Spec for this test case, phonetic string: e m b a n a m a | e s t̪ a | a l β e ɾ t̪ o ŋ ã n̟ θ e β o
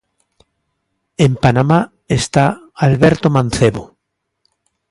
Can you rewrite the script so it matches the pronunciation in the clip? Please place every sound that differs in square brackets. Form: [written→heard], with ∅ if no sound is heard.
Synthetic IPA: e m [b→p] a n a m a | e s t̪ a | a l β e ɾ t̪ o [ŋ→m] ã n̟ θ e β o